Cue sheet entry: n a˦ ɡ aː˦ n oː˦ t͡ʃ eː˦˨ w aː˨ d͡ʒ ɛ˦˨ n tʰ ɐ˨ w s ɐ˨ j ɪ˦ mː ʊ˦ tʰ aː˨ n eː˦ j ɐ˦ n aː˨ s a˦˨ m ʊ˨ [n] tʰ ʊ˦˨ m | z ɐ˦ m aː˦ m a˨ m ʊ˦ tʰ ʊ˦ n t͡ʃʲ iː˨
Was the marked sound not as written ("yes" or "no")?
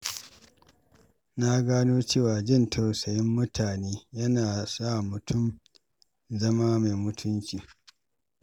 yes